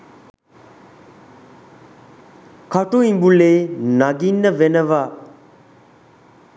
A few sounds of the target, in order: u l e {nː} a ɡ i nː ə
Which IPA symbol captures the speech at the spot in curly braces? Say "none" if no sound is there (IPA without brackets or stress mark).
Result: n